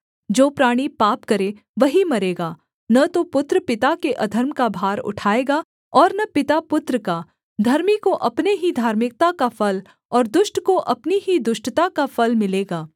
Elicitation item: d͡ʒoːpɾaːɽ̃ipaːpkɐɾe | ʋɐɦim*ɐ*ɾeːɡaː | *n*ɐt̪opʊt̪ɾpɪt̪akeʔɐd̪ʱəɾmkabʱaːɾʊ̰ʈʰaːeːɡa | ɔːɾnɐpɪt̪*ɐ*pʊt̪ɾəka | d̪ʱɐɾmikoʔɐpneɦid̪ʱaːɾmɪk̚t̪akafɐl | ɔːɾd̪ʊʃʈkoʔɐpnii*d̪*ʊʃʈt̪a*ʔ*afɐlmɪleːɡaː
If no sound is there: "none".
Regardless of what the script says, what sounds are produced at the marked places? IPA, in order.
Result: ɐ, n, a, d̪, k

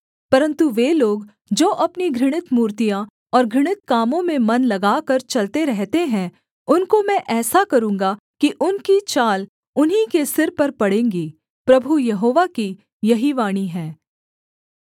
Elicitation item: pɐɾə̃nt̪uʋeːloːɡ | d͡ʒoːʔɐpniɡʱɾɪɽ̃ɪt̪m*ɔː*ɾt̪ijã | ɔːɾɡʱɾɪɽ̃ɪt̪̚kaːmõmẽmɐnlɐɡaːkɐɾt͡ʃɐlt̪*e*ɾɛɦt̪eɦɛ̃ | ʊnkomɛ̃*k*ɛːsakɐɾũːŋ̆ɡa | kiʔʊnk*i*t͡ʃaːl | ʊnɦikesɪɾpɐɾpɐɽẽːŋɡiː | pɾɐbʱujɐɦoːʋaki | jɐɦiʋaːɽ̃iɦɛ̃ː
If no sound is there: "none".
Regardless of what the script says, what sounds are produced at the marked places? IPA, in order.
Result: uː, e, ʔ, i

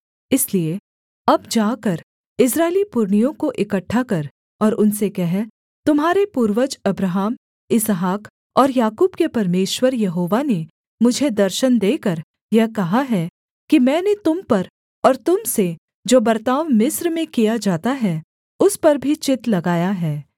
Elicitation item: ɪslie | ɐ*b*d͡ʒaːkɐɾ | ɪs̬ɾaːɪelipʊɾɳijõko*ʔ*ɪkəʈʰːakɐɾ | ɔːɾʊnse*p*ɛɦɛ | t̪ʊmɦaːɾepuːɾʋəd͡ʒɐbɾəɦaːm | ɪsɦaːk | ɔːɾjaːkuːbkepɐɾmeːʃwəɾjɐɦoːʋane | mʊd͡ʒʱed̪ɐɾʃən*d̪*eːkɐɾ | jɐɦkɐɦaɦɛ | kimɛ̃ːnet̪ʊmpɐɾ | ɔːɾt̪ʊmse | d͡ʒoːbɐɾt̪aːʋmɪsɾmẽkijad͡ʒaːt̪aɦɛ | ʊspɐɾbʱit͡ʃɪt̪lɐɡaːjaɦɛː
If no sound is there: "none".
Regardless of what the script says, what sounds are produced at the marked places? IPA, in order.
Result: b, ʔ, k, d̪

